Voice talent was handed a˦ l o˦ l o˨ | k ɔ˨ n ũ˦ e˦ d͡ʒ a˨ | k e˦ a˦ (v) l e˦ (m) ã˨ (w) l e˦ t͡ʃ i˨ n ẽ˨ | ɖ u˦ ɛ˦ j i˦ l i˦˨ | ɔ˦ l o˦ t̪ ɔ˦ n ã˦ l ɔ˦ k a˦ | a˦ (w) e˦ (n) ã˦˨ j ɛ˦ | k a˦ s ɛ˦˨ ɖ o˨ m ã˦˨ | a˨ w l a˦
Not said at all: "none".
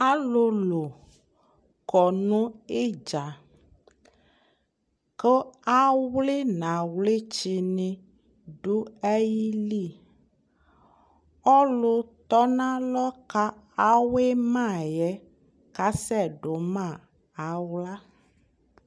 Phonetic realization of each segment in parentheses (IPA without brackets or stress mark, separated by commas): w, n, w, w, m